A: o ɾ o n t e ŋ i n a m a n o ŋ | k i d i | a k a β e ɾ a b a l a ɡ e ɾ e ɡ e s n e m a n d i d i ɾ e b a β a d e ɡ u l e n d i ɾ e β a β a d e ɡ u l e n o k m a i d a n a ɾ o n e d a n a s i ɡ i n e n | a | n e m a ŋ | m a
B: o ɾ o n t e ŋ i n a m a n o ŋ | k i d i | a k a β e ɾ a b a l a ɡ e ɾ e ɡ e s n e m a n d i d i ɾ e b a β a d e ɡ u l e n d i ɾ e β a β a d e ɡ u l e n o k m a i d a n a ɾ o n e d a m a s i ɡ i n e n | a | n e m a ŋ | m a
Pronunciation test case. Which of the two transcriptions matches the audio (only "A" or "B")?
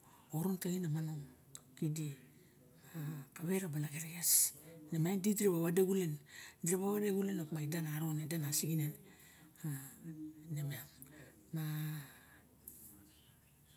A